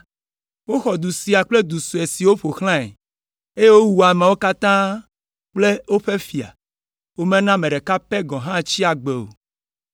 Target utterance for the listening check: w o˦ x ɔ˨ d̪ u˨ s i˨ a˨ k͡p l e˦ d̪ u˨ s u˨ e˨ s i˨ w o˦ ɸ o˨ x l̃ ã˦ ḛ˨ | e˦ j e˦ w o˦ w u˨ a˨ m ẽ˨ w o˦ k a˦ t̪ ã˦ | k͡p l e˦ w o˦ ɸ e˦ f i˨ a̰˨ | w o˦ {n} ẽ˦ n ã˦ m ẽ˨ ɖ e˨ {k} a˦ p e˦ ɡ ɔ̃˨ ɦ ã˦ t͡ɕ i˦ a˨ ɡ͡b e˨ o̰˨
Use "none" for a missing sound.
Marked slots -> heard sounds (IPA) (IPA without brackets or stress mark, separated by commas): m, k